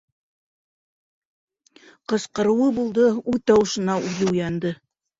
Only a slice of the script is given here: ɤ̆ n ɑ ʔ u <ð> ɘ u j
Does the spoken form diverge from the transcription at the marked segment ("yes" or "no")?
no